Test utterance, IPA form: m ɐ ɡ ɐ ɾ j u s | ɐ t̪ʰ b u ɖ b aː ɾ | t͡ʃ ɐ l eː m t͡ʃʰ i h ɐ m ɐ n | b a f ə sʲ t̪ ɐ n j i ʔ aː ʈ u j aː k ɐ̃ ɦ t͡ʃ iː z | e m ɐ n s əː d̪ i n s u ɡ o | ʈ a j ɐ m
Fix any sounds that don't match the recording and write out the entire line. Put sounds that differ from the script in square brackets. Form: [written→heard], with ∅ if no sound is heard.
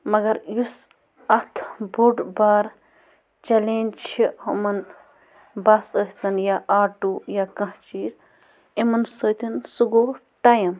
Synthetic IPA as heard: m ɐ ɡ ɐ ɾ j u s | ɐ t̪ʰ b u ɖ b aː ɾ | t͡ʃ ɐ l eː [m→n] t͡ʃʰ i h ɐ m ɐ n | b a [f→s] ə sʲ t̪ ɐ n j [i→a] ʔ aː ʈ u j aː k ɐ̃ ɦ t͡ʃ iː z | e m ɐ n s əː [d̪→t̪] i n s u ɡ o | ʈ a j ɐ m

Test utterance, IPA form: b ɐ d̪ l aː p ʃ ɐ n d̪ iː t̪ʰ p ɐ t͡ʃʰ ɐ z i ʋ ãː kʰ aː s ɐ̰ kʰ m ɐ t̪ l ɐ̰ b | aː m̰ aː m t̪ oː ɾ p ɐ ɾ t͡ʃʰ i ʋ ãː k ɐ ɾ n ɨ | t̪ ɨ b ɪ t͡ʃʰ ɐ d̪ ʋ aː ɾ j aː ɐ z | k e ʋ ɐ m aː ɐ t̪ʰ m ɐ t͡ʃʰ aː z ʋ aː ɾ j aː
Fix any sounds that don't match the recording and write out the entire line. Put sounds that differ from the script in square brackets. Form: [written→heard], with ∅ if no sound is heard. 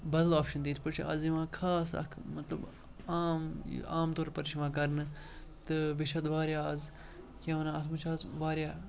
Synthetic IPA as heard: b ɐ d̪ l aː p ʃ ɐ n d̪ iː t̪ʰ p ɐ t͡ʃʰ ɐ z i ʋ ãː kʰ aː s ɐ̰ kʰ m ɐ t̪ l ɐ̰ b | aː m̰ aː m t̪ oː ɾ p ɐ ɾ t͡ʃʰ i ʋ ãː k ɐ ɾ n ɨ | t̪ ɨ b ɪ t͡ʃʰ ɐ d̪ ʋ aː ɾ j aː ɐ z | k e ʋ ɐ [m→n] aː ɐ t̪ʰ m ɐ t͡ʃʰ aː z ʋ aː ɾ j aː

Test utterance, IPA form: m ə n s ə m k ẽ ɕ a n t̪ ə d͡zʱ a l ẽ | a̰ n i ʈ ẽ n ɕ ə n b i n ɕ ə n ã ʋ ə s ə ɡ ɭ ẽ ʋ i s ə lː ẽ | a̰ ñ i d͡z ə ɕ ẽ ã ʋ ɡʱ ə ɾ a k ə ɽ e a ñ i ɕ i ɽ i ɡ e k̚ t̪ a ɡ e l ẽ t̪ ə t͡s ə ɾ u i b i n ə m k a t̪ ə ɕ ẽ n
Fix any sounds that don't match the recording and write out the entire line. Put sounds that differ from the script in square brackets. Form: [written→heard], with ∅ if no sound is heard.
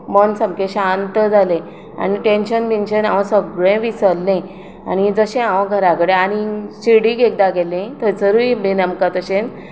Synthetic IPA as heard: m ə n s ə m k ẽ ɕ a n t̪ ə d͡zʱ a l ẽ | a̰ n i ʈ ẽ n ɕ ə n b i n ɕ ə n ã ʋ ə s ə ɡ ɭ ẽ ʋ i s ə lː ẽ | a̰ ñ i d͡z ə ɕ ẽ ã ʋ ɡʱ ə ɾ a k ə ɽ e a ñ i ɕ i ɽ i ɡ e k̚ [t̪→d̪] a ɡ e l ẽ t̪ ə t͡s ə ɾ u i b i n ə m k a t̪ ə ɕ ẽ n

